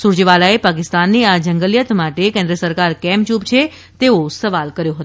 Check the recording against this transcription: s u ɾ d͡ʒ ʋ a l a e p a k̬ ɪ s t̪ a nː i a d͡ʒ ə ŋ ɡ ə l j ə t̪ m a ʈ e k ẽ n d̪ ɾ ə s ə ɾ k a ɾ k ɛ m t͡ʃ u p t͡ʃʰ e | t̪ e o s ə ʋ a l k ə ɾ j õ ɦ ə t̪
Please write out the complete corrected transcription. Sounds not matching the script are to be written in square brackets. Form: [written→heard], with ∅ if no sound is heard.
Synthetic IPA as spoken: s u ɾ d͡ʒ ʋ a l a e p a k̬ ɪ s t̪ a nː i a d͡ʒ ə ŋ ɡ ə l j ə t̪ m a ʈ e k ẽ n d̪ ɾ ə s ə ɾ k a ɾ k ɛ m t͡ʃ u p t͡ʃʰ e | t̪ e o s ə ʋ a l k ə ɾ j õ ɦ ə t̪

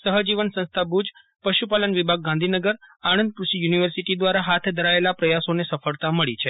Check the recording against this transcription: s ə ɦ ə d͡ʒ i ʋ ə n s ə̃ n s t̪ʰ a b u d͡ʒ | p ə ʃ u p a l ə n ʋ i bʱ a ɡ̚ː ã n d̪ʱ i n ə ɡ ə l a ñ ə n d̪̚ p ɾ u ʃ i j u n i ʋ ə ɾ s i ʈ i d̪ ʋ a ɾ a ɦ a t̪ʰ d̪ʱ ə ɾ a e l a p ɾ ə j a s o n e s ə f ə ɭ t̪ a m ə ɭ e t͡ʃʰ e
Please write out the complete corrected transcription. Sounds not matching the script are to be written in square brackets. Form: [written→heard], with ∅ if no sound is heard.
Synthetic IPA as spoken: s ə ɦ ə d͡ʒ i ʋ ə n s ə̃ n s t̪ʰ a b u d͡ʒ | p ə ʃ u p a l ə n ʋ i bʱ a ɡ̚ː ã n d̪ʱ i n ə ɡ ə [l→ɾ] a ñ ə n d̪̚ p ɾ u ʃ i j u n i ʋ ə ɾ s i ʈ i d̪ ʋ a ɾ a ɦ a t̪ʰ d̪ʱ ə ɾ a e l a p ɾ ə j a s o n e s ə f ə ɭ t̪ a m ə ɭ [e→i] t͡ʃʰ e

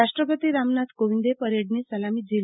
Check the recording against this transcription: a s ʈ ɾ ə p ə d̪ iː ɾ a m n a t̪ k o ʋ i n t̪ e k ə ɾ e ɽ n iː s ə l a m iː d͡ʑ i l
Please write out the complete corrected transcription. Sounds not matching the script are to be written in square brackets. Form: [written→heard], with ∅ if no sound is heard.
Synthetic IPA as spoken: a [s→ʂ] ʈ ɾ ə p ə [d̪→t̪] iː ɾ a m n a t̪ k o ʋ i n [t̪→d̪] e [k→p] ə ɾ e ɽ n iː s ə l a m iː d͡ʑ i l

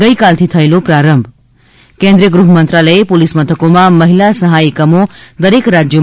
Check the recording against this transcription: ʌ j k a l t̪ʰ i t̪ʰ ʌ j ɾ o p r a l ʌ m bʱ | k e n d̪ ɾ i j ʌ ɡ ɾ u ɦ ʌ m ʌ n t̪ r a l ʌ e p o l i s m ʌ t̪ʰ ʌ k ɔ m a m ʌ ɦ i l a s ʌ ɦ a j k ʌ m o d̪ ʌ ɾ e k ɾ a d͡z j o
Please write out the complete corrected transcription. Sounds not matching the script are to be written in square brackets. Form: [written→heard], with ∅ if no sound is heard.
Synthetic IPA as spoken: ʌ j k a l t̪ʰ i t̪ʰ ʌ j [ɾ→l] o p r a [l→ɾ] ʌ m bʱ | k e n d̪ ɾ i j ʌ ɡ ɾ u ɦ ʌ m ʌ n t̪ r a l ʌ e p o l i s m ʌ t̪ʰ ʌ k [ɔ→o] m a m ʌ ɦ i l a s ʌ ɦ a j k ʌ m o d̪ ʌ ɾ e k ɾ a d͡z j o

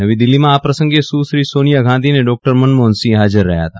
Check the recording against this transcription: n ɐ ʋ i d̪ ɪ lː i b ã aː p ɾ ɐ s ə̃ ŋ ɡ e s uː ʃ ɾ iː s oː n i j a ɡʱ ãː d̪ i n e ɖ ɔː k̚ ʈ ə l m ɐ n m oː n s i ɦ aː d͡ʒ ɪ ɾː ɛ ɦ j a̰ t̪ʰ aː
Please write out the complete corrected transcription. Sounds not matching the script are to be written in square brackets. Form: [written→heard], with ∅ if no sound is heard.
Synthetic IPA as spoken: n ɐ ʋ i d̪ ɪ lː i [b→m] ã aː p ɾ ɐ s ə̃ ŋ ɡ e s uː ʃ ɾ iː s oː n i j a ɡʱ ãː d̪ i n e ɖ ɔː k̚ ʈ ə [l→ɾ] m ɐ n m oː n s i ɦ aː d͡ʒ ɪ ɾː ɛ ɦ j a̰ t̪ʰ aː

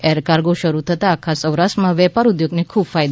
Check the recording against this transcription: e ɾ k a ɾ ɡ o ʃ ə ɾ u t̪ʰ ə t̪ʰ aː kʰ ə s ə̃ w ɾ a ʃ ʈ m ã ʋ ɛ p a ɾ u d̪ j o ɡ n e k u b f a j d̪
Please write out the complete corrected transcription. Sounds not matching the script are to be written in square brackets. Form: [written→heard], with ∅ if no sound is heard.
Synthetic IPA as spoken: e ɾ k a ɾ ɡ o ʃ ə ɾ u t̪ʰ ə [t̪ʰ→t̪] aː kʰ [ə→a] s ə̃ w ɾ a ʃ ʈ m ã ʋ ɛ p a ɾ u d̪ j o ɡ n e [k→kʰ] u b f a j d̪

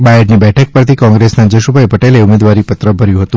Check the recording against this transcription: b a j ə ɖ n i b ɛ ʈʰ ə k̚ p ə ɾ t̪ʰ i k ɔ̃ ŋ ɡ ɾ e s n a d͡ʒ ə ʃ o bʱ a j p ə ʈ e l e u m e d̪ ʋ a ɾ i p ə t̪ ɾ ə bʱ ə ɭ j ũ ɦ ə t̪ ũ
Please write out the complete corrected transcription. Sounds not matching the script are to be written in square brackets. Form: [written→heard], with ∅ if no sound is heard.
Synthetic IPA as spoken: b a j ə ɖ n i b ɛ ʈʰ ə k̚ p ə ɾ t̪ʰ i k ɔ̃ ŋ ɡ ɾ e s n a d͡ʒ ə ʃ [o→u] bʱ a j p ə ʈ e l e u m e d̪ ʋ a ɾ i p ə t̪ ɾ ə bʱ ə [ɭ→ɾ] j ũ ɦ ə t̪ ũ

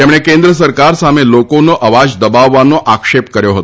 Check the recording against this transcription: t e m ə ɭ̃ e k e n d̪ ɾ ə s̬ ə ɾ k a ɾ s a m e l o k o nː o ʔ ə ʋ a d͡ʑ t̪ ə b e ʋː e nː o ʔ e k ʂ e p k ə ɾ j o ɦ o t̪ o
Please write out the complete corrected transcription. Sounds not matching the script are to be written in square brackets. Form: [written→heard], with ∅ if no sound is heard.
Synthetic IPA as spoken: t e m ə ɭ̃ e k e n d̪ ɾ ə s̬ ə ɾ k a ɾ s a m e l o k o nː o ʔ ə ʋ a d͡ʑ [t̪→d̪] ə b [e→a] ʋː [e→a] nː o ʔ [e→a] k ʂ e p k ə ɾ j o ɦ o t̪ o

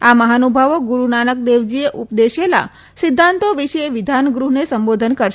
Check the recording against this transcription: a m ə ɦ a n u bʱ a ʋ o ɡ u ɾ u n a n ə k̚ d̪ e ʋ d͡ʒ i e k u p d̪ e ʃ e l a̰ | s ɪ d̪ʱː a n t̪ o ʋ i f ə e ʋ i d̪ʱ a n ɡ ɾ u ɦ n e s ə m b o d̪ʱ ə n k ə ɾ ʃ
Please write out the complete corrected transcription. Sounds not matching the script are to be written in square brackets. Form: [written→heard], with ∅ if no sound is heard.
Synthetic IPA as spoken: a m ə ɦ a n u bʱ a ʋ o ɡ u ɾ u n a n ə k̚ d̪ e ʋ d͡ʒ i e [k→ʔ] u p d̪ e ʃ e l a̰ | s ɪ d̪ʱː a n t̪ o ʋ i [f→ʃ] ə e ʋ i d̪ʱ a n ɡ ɾ u ɦ n e s ə m b o d̪ʱ ə n k ə ɾ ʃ

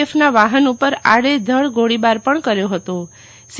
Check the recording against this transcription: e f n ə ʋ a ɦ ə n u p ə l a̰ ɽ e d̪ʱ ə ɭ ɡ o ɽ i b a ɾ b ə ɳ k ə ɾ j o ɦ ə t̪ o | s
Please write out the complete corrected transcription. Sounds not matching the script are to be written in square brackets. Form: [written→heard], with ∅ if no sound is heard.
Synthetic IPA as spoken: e f n [ə→a] ʋ a ɦ ə n u p ə [l→ɾ] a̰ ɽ e d̪ʱ ə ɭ ɡ o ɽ i b a ɾ [b→p] ə ɳ k ə ɾ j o ɦ ə t̪ o | s

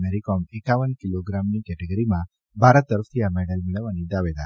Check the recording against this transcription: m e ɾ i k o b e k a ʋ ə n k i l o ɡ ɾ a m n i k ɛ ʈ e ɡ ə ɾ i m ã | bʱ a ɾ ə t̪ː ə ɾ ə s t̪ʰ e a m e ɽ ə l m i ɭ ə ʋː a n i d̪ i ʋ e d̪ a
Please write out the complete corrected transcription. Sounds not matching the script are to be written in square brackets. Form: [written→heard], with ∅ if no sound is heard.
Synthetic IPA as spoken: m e ɾ i k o [b→m] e k a ʋ ə n k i l o ɡ ɾ a m n i k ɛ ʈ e ɡ ə ɾ i m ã | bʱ a ɾ ə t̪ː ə ɾ ə [s→f] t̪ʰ [e→i] a m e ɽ ə l m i ɭ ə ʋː a n i d̪ [i→a] ʋ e d̪ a

